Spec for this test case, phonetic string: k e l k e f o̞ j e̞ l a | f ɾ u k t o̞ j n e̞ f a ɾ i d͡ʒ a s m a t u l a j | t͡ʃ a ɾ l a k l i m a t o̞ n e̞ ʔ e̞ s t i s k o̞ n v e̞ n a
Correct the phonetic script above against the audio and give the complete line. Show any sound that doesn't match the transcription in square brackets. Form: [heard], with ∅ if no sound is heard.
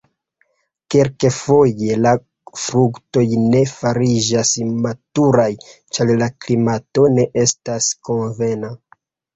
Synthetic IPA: k e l k e f o̞ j e̞ l a | f ɾ u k t o̞ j n e̞ f a ɾ i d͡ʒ a s m a t u [ɾ] a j | t͡ʃ a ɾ l a k l i m a t o̞ n e̞ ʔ e̞ s t [a] s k o̞ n v e̞ n a

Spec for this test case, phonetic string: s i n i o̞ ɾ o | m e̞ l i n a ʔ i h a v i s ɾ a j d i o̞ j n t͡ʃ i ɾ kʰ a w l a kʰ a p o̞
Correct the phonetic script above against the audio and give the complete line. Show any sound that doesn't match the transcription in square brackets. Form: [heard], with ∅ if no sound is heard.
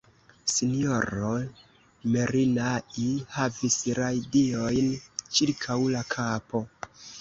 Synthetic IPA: s i n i o̞ ɾ o | m e̞ [ɾ] i n a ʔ i h a v i s ɾ a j d i o̞ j n t͡ʃ i ɾ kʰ a w l a kʰ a p o̞

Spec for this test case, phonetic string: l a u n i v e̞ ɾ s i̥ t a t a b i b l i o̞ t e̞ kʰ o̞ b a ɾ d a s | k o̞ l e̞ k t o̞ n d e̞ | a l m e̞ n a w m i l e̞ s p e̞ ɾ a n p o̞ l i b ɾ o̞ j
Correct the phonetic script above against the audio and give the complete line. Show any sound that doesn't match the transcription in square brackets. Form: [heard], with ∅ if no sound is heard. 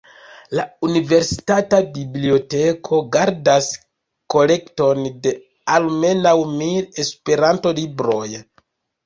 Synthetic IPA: l a u n i v e̞ ɾ s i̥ t a t a b i b l i o̞ t e̞ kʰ o̞ [ɡ] a ɾ d a s | k o̞ l e̞ k t o̞ n d e̞ | a l m e̞ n a w m i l e̞ s p e̞ ɾ a n [t] o̞ l i b ɾ o̞ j

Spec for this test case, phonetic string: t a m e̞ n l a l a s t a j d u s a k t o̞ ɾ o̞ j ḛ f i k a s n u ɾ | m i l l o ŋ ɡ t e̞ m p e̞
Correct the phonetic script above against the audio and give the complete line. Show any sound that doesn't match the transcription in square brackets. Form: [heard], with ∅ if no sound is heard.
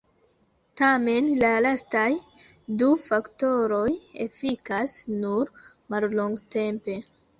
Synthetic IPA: t a m e̞ n l a l a s t a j d u [f] a k t o̞ ɾ o̞ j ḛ f i k a s n u ɾ | m [a] l l o ŋ ɡ t e̞ m p e̞

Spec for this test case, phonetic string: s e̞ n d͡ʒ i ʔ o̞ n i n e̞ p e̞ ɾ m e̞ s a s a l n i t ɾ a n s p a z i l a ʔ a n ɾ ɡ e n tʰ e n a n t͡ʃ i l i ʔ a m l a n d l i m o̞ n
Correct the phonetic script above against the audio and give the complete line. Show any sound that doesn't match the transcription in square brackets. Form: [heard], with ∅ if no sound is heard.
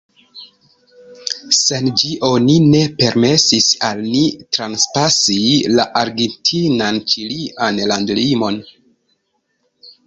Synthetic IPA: s e̞ n d͡ʒ i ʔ o̞ n i n e̞ p e̞ ɾ m e̞ s [i] s a l n i t ɾ a n s p a [s] i l a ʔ a [∅] ɾ ɡ e n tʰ [i] n a n t͡ʃ i l i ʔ a [n] l a n d l i m o̞ n

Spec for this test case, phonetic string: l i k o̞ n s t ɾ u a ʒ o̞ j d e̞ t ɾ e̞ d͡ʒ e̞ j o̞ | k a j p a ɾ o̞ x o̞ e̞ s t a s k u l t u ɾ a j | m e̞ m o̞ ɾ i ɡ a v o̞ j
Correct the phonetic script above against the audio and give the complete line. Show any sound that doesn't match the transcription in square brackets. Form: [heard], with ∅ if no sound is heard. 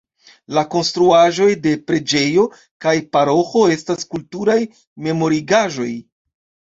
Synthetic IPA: l [a] k o̞ n s t ɾ u a ʒ o̞ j d e̞ [p] ɾ e̞ d͡ʒ e̞ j o̞ | k a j p a ɾ o̞ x o̞ e̞ s t a s k u l t u ɾ a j | m e̞ m o̞ ɾ i ɡ a [ʒ] o̞ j

